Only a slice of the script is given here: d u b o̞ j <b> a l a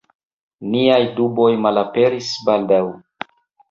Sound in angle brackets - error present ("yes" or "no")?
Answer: yes